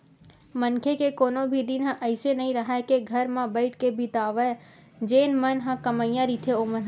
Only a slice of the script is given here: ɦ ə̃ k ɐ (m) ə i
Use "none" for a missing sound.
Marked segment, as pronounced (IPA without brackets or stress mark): m